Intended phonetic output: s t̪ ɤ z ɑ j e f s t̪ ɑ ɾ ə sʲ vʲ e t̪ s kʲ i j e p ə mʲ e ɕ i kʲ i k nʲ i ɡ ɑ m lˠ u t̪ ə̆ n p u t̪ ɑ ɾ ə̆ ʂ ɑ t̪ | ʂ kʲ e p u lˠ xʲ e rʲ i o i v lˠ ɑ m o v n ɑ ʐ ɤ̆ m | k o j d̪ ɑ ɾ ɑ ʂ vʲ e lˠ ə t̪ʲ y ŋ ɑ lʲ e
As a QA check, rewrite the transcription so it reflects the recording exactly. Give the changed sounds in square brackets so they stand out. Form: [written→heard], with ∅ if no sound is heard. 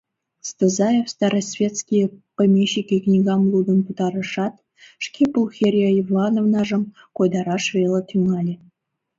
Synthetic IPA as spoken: s t̪ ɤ z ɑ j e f s t̪ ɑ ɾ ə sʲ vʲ e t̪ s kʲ i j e p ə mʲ e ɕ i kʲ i k nʲ i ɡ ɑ m lˠ u [t̪→d̪] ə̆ n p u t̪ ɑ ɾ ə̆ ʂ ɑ t̪ | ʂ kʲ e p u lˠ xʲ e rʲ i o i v lˠ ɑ [m→n] o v n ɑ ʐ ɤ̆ m | k o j d̪ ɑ ɾ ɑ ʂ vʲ e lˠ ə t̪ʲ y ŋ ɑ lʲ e